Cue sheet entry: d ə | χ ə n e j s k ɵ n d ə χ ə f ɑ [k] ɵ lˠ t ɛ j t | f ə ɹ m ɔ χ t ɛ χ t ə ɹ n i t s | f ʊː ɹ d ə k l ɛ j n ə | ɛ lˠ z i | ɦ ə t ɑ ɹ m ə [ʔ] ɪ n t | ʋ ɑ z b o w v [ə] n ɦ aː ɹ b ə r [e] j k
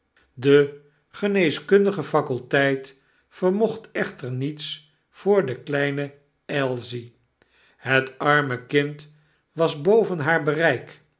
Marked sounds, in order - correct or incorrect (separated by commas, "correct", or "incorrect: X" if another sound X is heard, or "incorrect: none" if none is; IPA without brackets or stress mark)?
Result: correct, incorrect: k, correct, incorrect: ɛ